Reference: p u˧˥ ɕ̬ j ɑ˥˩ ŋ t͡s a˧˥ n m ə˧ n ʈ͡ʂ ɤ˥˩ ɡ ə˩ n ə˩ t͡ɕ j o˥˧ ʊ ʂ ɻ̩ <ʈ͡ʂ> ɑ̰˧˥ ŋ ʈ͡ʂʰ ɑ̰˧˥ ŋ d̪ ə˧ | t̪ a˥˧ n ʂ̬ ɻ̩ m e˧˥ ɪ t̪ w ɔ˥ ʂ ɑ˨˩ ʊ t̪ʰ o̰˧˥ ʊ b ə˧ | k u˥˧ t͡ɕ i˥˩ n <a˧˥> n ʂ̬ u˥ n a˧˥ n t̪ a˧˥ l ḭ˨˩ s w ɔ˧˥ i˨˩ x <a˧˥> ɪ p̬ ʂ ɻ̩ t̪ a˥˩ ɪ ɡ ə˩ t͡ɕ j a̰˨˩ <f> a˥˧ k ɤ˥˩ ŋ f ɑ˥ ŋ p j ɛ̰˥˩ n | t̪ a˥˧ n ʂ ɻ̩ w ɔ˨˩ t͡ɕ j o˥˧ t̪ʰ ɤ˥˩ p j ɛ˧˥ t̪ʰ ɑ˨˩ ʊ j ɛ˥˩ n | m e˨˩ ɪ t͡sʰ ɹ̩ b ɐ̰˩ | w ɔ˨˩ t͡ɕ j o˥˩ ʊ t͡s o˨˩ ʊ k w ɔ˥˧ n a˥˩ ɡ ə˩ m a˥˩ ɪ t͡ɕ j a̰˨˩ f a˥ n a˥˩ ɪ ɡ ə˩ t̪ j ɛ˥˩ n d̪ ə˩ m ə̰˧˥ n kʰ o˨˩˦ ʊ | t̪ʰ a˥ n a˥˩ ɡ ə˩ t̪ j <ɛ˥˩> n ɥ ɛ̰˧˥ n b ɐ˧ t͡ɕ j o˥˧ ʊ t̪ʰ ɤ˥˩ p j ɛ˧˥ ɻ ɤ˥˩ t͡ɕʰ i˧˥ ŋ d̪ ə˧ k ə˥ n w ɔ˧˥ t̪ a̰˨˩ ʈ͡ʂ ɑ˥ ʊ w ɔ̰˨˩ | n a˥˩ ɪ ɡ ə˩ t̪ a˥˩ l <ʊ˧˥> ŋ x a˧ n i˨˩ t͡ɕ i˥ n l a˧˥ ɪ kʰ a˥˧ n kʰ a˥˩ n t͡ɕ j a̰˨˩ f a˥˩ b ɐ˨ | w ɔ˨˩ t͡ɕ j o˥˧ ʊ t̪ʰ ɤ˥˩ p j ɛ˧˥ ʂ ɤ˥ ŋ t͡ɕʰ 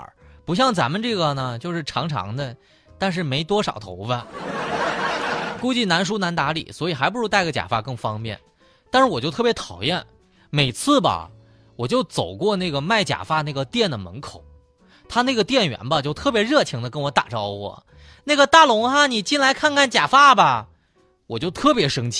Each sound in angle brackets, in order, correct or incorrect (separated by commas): incorrect, correct, correct, correct, correct, correct